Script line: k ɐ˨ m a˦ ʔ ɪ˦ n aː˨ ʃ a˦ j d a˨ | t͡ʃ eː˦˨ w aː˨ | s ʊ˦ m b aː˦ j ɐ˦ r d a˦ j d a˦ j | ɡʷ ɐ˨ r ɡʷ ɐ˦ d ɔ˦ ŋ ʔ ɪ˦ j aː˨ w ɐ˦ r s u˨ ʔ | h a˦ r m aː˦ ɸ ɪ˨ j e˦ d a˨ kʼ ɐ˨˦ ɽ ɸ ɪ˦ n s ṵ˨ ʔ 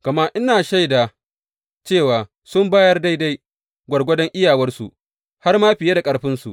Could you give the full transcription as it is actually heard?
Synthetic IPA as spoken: k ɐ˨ m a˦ ʔ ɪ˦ n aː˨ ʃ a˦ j d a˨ | t͡ʃ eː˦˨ w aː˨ | s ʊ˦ m b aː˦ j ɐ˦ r d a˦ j d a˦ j | ɡʷ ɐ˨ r ɡʷ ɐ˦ d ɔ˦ ŋ ʔ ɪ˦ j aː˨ w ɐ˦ r s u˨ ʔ | h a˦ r m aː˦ ɸ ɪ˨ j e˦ d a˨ kʼ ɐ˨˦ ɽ ɸ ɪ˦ n s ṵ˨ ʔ

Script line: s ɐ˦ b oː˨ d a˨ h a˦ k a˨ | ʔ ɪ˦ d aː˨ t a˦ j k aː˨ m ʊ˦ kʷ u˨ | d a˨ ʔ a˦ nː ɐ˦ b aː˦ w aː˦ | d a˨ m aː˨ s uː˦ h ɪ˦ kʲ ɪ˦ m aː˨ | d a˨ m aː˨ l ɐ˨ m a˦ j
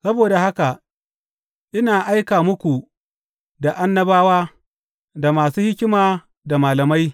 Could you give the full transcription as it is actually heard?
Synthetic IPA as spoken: s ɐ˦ b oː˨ d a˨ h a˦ k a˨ | ʔ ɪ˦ n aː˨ ʔ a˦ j k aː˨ m ʊ˦ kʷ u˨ | d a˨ ʔ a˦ nː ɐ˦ b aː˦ w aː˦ | d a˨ m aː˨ s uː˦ h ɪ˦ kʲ ɪ˦ m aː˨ | d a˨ m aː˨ l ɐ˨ m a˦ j

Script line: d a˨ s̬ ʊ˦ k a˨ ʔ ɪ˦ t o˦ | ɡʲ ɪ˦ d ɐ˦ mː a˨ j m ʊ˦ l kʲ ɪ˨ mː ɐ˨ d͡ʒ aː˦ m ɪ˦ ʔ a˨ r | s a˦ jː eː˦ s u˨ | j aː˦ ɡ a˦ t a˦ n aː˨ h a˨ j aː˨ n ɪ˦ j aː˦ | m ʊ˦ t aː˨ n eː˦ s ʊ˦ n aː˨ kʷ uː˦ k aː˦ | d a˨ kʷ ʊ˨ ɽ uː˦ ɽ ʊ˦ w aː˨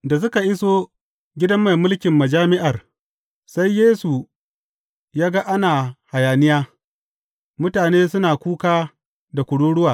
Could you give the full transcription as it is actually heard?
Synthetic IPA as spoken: d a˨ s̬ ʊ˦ k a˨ ʔ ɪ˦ s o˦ | ɡʲ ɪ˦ d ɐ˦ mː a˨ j m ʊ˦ l kʲ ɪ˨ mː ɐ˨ d͡ʒ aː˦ m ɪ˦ ʔ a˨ r | s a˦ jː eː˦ s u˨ | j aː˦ ɡ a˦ ʔ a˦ n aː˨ h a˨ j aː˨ n ɪ˦ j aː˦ | m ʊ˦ t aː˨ n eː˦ s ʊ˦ n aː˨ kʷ uː˦ k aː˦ | d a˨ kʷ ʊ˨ ɽ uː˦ ɽ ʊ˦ w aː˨

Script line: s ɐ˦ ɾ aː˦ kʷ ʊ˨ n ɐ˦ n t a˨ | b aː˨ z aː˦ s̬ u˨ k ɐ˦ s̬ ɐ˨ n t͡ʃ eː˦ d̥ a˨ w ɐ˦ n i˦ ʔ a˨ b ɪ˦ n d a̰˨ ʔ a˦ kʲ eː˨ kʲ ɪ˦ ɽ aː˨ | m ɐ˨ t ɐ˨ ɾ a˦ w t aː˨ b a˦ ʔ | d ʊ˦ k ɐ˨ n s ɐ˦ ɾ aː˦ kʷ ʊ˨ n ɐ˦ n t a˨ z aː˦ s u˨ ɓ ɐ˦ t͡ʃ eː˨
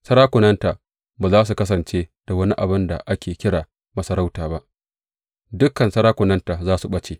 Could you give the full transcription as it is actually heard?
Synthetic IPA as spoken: s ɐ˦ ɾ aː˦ kʷ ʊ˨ n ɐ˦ n t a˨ | b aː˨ z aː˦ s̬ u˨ k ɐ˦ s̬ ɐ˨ n t͡ʃ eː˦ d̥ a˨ w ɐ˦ n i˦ ʔ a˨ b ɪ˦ n d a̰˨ ʔ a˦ kʲ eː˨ kʲ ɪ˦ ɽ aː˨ | m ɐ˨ s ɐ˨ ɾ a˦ w t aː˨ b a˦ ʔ | d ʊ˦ k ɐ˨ n s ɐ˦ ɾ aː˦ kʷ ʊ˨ n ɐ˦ n t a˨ z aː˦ s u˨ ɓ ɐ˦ t͡ʃ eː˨

